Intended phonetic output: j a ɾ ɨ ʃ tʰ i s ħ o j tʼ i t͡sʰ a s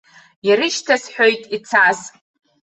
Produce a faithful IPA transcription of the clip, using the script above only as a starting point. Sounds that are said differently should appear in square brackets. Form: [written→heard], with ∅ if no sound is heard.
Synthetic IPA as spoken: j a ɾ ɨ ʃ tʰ [i→a] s ħ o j tʼ i t͡sʰ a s